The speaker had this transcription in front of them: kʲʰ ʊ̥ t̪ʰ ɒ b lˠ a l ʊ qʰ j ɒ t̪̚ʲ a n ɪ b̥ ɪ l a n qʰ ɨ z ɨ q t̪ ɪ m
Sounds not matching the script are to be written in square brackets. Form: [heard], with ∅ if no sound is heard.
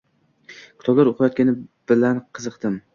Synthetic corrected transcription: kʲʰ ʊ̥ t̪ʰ ɒ b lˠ a [ɾ] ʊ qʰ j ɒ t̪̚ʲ a n ɪ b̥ ɪ l a n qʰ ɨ z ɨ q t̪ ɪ m